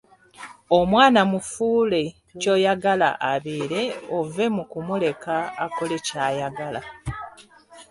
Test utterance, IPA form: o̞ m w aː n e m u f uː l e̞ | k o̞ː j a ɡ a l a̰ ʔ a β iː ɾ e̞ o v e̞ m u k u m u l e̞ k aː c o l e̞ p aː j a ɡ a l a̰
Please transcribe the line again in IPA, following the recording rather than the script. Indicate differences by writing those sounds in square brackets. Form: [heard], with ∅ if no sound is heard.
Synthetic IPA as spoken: o̞ m w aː n [a] m u f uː l e̞ | [c] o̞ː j a ɡ a l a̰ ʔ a β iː ɾ e̞ o v e̞ m u k u m u l e̞ k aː [k] o l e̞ [c] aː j a ɡ a l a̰